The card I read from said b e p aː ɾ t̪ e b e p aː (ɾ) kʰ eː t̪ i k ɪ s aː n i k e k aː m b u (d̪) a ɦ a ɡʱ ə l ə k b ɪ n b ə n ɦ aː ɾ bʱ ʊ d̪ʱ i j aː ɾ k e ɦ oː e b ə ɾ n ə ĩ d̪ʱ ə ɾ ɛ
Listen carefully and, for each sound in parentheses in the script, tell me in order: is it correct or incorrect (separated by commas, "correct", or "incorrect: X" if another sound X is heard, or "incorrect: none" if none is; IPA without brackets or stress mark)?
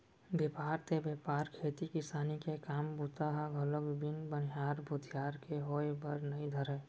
correct, incorrect: t̪